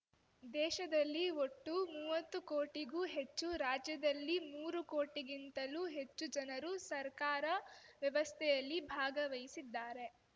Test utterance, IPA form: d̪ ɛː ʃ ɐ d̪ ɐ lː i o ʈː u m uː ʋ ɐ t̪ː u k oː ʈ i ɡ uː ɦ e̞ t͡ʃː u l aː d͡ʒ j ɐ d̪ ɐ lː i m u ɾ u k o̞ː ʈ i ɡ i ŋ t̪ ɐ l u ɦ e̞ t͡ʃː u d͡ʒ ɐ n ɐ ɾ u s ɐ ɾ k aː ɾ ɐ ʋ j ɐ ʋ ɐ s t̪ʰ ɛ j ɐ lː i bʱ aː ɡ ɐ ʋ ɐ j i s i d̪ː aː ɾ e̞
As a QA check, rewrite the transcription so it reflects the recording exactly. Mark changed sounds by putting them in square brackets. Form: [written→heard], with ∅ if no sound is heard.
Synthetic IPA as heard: d̪ ɛː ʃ ɐ d̪ ɐ lː i o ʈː u m uː ʋ ɐ t̪ː u k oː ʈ i ɡ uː ɦ e̞ t͡ʃː u [l→ɾ] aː d͡ʒ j ɐ d̪ ɐ lː i m [u→uː] ɾ u k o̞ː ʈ i ɡ i [ŋ→n] t̪ ɐ l u ɦ e̞ t͡ʃː u d͡ʒ ɐ n ɐ ɾ u s ɐ ɾ k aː ɾ ɐ ʋ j ɐ ʋ ɐ s t̪ʰ ɛ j ɐ lː i bʱ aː ɡ ɐ ʋ ɐ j i s i d̪ː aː ɾ e̞